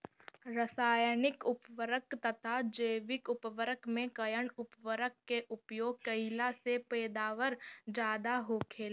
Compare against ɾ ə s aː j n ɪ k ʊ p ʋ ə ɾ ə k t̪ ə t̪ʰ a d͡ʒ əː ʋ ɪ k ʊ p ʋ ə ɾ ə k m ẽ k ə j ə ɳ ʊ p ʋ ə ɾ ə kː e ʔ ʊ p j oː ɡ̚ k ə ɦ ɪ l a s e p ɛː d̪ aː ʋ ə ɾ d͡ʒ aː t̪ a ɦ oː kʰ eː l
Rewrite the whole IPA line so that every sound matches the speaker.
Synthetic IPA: ɾ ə s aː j n ɪ k ʊ p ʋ ə ɾ ə k t̪ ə t̪ʰ a d͡ʒ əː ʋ ɪ k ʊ p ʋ ə ɾ ə k m ẽ k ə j ə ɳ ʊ p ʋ ə ɾ ə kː e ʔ ʊ p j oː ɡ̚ k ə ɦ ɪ l a s e p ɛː d̪ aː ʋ ə ɾ d͡ʒ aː d̪ a ɦ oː kʰ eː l